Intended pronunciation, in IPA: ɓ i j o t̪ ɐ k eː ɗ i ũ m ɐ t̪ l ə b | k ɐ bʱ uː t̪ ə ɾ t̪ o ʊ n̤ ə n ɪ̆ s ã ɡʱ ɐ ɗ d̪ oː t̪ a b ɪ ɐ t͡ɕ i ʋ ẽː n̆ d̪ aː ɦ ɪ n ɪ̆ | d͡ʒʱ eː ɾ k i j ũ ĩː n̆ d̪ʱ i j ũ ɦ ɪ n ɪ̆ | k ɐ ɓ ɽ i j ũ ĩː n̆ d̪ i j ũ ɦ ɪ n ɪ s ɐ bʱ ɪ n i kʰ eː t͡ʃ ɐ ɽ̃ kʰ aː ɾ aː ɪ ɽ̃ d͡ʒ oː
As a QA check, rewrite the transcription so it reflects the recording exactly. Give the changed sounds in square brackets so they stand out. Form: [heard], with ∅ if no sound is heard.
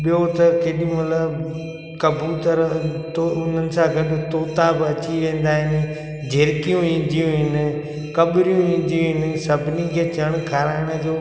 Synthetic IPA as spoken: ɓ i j o t̪ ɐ k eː ɗ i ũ m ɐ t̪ l ə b | k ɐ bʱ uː t̪ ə ɾ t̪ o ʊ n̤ ə n ɪ̆ s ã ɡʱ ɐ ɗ [t̪] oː t̪ a b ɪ ɐ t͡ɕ i ʋ ẽː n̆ d̪ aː ɦ ɪ n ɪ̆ | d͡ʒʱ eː ɾ k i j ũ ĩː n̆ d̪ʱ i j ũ ɦ ɪ n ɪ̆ | k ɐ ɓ [ɾ] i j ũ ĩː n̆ d̪ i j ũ ɦ ɪ n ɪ s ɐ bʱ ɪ n i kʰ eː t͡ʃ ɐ ɽ̃ kʰ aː ɾ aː ɪ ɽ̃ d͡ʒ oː